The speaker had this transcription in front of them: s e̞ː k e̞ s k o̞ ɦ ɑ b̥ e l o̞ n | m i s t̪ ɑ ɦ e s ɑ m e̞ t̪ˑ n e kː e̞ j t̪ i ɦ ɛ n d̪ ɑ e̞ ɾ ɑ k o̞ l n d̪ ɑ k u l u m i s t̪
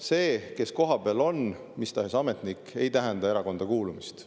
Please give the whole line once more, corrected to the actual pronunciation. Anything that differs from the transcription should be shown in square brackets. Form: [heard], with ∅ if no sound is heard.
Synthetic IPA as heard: s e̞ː k e̞ s k o̞ ɦ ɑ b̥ e l o̞ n | m i s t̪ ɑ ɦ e s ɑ m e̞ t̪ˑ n [i] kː e̞ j t̪ [æ] ɦ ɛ n d̪ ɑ e̞ ɾ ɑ k o̞ [∅] n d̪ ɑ k [uː] l u m i s t̪